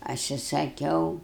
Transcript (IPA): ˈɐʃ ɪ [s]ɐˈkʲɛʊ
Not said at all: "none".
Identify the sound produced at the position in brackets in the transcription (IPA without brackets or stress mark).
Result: s